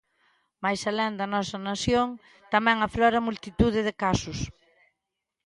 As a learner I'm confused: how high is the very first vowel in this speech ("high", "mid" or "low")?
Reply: low